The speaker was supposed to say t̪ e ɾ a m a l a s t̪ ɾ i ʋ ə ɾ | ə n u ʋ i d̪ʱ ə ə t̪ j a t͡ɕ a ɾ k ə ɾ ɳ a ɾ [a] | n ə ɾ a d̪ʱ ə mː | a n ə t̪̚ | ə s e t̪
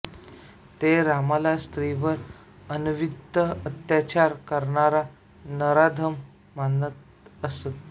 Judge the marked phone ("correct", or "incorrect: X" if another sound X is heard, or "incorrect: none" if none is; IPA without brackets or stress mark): correct